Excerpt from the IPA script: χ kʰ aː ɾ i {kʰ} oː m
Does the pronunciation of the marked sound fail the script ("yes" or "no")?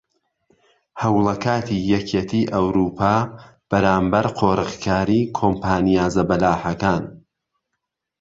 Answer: no